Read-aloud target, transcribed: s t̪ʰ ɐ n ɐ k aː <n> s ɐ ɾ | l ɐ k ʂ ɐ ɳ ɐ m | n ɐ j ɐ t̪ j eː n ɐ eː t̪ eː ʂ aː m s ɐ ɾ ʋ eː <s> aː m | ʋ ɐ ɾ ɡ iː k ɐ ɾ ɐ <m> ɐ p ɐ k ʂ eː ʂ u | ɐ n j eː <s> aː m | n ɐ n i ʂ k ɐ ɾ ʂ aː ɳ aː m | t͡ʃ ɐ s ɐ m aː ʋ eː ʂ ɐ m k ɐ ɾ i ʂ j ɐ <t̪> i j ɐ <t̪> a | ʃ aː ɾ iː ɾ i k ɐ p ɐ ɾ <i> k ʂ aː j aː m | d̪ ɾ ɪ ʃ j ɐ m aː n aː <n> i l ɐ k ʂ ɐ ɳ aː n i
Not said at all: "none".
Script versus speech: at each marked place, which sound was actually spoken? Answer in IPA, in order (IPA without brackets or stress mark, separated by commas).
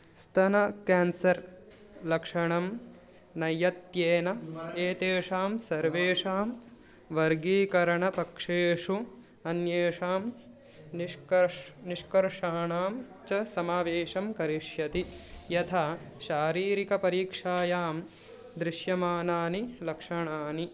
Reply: n, ʂ, ɳ, ʂ, t̪, t̪ʰ, iː, n